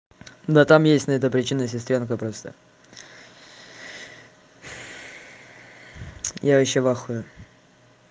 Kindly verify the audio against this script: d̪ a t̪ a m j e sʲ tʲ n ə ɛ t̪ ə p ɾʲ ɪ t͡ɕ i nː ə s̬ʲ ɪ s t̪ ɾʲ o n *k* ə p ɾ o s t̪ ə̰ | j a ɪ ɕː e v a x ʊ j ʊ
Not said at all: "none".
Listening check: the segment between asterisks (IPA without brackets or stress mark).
k